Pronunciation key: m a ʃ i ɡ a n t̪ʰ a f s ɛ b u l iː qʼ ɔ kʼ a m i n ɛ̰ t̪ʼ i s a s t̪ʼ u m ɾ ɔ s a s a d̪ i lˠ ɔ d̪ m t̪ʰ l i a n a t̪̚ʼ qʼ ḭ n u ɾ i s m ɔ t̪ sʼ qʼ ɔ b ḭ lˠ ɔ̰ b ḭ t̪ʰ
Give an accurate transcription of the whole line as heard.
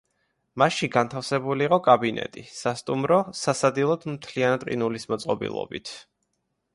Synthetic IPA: m a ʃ i ɡ a n t̪ʰ a f s ɛ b u l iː qʼ ɔ kʼ a b i n ɛ̰ t̪ʼ i s a s t̪ʼ u m ɾ ɔ s a s a d̪ i lˠ ɔ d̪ m t̪ʰ l i a n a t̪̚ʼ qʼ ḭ n u l i s m ɔ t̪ sʼ qʼ ɔ b ḭ lˠ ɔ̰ b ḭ t̪ʰ